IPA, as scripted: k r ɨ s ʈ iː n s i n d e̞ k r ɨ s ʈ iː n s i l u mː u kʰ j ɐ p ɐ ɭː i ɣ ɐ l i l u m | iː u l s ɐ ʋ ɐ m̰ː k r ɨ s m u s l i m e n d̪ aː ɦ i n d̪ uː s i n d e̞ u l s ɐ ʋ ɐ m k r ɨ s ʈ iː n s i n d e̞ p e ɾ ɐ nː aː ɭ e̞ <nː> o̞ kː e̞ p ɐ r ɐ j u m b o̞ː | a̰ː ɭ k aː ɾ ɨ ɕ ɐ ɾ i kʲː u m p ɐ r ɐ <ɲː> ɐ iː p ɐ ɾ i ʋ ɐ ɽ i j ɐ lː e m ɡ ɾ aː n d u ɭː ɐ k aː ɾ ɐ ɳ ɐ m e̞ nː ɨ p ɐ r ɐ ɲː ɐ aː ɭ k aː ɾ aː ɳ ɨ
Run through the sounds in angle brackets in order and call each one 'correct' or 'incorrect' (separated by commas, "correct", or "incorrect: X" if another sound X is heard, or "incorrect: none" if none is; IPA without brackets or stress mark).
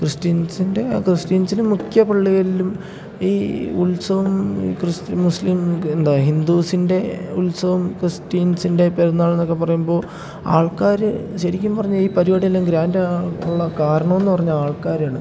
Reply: correct, correct